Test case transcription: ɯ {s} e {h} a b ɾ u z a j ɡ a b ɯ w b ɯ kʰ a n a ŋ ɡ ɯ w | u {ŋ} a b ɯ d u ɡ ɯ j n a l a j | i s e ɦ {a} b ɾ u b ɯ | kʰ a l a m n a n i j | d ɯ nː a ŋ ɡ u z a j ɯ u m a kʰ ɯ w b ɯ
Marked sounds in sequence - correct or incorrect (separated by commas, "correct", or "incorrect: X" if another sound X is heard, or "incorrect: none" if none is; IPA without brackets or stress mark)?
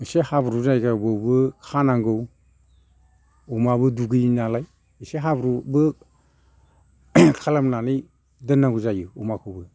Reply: correct, correct, incorrect: m, correct